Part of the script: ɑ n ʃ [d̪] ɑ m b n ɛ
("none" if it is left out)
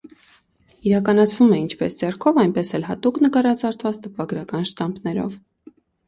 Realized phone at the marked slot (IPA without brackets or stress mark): t̪